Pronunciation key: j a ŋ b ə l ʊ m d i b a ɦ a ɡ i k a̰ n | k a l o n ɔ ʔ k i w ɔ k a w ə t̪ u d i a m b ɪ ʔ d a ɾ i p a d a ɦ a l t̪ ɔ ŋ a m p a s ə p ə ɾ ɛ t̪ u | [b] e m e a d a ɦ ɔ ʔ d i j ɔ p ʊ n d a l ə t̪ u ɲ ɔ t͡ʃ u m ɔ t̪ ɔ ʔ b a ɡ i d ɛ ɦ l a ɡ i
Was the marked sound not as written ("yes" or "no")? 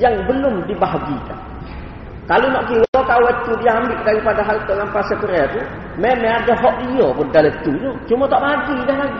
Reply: yes